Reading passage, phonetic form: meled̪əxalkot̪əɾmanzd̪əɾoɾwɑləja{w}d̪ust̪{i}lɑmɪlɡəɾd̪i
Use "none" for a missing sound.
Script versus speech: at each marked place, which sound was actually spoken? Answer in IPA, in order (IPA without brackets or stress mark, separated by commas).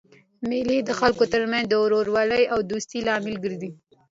w, i